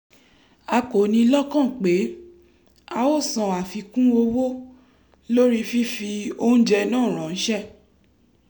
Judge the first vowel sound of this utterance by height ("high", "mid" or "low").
low